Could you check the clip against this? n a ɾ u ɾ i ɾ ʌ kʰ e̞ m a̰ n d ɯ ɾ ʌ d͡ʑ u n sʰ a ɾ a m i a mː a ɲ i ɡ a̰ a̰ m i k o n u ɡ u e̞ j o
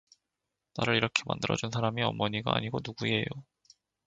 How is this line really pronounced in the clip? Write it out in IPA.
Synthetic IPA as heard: n a ɾ ɯ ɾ i ɾ ʌ kʰ e̞ m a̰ n d ɯ ɾ ʌ d͡ʑ u n sʰ a ɾ a m i ʌ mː ʌ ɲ i ɡ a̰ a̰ ɲ i ɡ o n u ɡ u e̞ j o

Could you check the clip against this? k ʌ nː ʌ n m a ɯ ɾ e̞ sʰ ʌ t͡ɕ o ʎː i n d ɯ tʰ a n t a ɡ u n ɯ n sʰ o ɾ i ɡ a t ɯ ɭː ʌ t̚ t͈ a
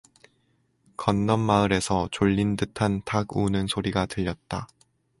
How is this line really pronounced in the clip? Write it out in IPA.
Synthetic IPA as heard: k ʌ nː ʌ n m a ɯ ɾ e̞ sʰ ʌ t͡ɕ o ʎː i n d ɯ tʰ a n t a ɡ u n ɯ n sʰ o ɾ i ɡ a t ɯ ʎː ʌ t̚ t͈ a

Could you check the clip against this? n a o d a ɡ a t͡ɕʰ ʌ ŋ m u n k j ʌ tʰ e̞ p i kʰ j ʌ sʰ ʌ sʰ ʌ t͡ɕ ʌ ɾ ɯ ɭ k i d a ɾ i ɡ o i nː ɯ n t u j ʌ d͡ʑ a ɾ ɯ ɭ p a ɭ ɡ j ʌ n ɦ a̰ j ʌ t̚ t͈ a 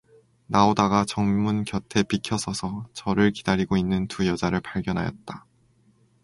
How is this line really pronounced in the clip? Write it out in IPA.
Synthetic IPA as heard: n a o d a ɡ a t͡ɕ ʌ ŋ m u n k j ʌ tʰ e̞ p i kʰ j ʌ sʰ ʌ sʰ ʌ t͡ɕ ʌ ɾ ɯ ɭ k i d a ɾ i ɡ o i nː ɯ n t u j ʌ d͡ʑ a ɾ ɯ ɭ p a ɭ ɡ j ʌ n ɦ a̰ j ʌ t̚ t͈ a

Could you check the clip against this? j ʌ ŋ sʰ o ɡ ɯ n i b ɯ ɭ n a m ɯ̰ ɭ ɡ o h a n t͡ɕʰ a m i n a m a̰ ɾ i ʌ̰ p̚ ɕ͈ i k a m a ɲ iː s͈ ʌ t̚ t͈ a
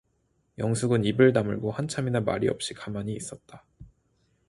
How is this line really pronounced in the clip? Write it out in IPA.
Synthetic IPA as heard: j ʌ ŋ sʰ u ɡ ɯ n i b ɯ ɭ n a m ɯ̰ ɭ ɡ o h a n t͡ɕʰ a m i n a m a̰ ɾ i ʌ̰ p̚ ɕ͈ i k a m a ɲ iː s͈ ʌ t̚ t͈ a

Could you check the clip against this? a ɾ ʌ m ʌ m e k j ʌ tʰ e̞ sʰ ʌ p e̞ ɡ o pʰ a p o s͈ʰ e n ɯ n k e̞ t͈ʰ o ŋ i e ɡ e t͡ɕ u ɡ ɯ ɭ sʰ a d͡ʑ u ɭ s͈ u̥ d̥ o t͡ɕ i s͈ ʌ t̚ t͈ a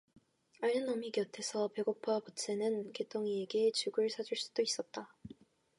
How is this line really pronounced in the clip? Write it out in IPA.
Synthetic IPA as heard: a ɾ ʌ n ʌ m i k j ʌ tʰ e̞ sʰ ʌ p e̞ ɡ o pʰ a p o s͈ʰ e n ɯ n k e̞ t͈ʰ o ŋ i e ɡ e t͡ɕ u ɡ ɯ ɭ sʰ a d͡ʑ u ɭ s͈ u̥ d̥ o i s͈ ʌ t̚ t͈ a

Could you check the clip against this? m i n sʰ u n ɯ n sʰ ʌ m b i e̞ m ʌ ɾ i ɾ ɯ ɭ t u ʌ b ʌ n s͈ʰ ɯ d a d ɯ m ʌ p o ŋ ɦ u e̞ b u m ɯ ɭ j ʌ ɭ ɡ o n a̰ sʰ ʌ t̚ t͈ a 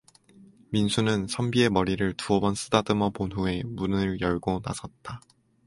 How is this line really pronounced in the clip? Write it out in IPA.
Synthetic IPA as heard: m i n sʰ u n ɯ n sʰ ʌ m b i e̞ m ʌ ɾ i ɾ ɯ ɭ t u ʌ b ʌ n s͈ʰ ɯ d a d ɯ m ʌ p o n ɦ u e̞ m u n ɯ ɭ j ʌ ɭ ɡ o n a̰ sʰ ʌ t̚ t͈ a

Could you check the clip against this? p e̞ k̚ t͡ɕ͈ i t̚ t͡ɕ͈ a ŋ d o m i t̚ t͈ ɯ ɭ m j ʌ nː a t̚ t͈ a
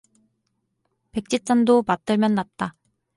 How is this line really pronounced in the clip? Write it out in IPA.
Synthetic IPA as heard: p e̞ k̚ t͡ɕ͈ i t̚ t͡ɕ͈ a n d o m a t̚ t͈ ɯ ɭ m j ʌ nː a t̚ t͈ a

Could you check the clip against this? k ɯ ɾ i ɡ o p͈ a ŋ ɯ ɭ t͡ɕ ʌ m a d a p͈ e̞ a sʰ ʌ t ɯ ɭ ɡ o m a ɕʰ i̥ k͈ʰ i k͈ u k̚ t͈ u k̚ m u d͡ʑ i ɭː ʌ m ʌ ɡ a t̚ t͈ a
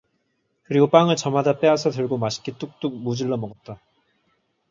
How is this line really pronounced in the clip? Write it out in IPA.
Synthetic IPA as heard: k ɯ ɾ i ɡ o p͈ a ŋ ɯ ɭ t͡ɕ ʌ m a d a p͈ e̞ a sʰ ʌ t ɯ ɭ ɡ o m a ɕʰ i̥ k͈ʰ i t͈ u k̚ t͈ u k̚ m u d͡ʑ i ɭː ʌ m ʌ ɡ ʌ t̚ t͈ a

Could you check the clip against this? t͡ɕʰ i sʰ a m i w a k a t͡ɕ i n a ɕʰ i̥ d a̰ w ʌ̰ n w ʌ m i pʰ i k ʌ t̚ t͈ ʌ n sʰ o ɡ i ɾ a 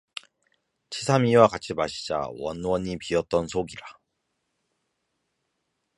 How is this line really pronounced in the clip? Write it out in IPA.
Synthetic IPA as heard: t͡ɕʰ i sʰ a m i w a k a t͡ɕʰ i m a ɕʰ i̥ d͡ʑ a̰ w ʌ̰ n w ʌ ɲ i p i ʌ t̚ t͈ ʌ n sʰ o ɡ i ɾ a

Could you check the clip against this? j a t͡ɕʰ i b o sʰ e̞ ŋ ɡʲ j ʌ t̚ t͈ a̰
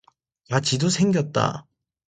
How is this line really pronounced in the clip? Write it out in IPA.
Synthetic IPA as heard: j a t͡ɕ i d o sʰ e̞ ŋ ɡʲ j ʌ t̚ t͈ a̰

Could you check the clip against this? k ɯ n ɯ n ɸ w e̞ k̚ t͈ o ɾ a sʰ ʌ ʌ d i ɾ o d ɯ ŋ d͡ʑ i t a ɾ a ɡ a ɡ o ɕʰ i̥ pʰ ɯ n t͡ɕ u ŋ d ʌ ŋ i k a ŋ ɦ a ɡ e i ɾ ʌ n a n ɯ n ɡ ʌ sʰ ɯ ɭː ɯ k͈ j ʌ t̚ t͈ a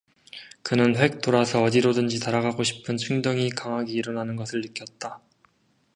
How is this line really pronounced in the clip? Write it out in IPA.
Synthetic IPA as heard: k ɯ n ɯ n ɸ w e̞ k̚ t͈ o ɾ a sʰ ʌ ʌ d i ɾ o d ɯ n d͡ʑ i t a ɾ a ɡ a ɡ o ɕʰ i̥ pʰ ɯ n t͡ɕʰ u ŋ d ʌ ŋ i k a ŋ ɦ a ɡ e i ɾ ʌ n a n ɯ n ɡ ʌ sʰ ɯ ɭː ɯ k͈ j ʌ t̚ t͈ a

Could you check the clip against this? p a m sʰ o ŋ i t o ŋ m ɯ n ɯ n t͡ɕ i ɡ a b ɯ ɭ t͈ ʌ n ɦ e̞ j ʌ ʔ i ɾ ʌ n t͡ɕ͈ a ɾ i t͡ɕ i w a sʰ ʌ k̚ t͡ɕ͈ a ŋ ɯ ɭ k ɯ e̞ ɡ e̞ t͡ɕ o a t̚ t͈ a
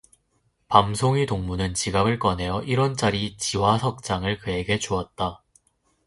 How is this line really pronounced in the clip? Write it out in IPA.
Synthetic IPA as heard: p a m sʰ o ŋ i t o ŋ m u n ɯ n t͡ɕ i ɡ a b ɯ ɭ k͈ ʌ n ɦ e̞ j ʌ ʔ i ɾ ʌ n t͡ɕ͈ a ɾ i t͡ɕ i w a sʰ ʌ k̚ t͡ɕ͈ a ŋ ɯ ɭ k ɯ e̞ ɡ e̞ t͡ɕ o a t̚ t͈ a

